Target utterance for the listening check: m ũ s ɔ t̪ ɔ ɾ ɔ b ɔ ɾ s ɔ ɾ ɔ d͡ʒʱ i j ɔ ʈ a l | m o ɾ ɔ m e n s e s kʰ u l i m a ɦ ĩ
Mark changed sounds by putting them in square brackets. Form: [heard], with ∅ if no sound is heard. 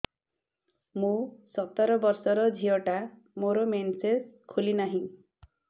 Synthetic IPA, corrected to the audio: m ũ s ɔ t̪ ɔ ɾ ɔ b ɔ ɾ s ɔ ɾ ɔ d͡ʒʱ i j ɔ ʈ a [∅] | m o ɾ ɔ m e n s e s kʰ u l i [n] a ɦ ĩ